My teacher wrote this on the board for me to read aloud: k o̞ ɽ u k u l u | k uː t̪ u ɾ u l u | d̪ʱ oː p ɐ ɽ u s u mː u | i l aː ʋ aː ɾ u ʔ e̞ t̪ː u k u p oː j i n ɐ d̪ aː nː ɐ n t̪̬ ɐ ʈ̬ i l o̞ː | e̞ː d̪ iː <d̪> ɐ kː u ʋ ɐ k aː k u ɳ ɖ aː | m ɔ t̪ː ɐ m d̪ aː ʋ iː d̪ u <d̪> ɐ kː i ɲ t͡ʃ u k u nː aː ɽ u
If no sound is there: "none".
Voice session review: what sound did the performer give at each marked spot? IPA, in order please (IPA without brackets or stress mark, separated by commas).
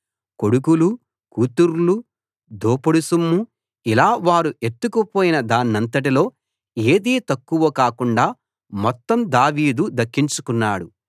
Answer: t̪, d̪